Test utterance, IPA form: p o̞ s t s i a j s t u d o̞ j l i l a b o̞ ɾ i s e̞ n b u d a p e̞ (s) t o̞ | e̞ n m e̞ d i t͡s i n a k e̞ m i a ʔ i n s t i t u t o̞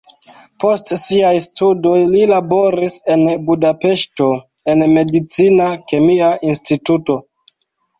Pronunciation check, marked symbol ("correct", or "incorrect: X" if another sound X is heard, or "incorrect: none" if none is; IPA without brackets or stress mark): incorrect: ʃ